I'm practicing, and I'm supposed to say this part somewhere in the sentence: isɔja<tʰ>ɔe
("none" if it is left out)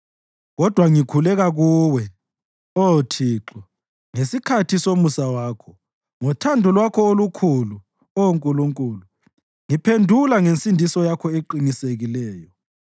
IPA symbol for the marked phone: kʰ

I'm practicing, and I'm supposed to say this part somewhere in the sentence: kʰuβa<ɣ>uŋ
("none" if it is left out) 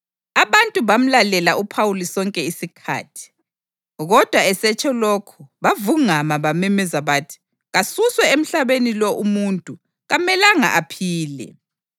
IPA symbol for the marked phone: v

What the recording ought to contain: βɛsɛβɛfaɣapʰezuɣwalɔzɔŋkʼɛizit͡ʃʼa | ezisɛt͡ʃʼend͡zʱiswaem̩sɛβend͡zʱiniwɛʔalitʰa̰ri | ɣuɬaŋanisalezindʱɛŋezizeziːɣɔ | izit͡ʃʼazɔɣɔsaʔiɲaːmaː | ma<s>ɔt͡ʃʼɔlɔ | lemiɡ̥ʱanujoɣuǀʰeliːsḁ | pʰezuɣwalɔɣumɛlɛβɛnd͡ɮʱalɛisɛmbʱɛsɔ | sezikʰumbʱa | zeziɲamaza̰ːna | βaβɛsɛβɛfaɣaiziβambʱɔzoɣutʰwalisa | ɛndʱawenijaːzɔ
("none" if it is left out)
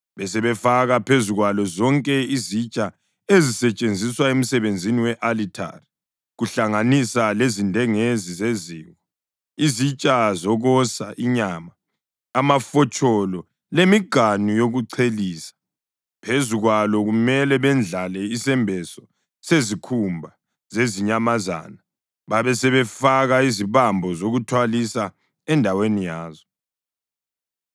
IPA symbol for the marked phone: f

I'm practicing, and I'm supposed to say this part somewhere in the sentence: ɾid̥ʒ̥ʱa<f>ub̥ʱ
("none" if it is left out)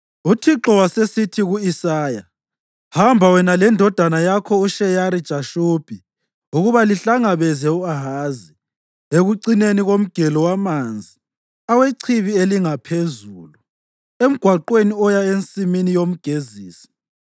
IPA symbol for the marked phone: ʃ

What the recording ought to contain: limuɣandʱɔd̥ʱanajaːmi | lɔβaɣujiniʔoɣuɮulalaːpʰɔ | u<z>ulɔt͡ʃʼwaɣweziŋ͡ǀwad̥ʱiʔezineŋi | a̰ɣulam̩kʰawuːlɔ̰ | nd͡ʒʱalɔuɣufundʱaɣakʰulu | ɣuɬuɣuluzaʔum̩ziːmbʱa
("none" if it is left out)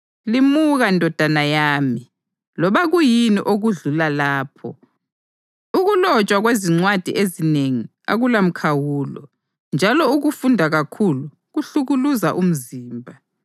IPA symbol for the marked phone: ɣ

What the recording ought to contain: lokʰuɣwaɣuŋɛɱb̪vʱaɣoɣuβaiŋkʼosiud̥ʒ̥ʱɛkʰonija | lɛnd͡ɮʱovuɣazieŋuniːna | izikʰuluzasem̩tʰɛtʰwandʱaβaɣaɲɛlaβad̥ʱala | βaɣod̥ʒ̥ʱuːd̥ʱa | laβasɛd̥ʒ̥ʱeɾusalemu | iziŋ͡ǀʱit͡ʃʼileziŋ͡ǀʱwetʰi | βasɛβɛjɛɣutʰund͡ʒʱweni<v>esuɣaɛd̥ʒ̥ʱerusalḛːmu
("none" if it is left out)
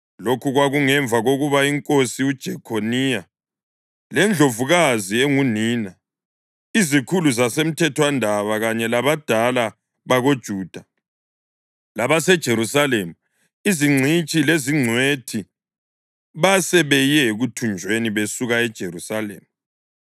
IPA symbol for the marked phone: β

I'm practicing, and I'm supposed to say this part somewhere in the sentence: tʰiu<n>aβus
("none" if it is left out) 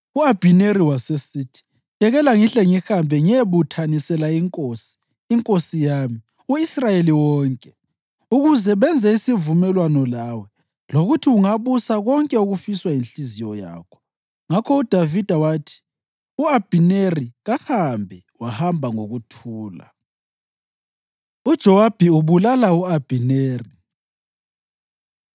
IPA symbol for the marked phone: ŋ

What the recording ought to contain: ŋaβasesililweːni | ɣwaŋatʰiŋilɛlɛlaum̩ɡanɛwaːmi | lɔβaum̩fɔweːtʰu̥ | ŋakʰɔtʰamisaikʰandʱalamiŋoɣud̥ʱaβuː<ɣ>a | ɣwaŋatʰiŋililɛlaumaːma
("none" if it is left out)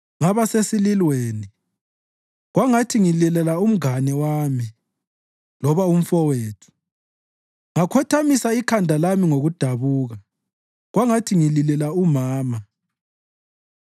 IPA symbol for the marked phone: ɣ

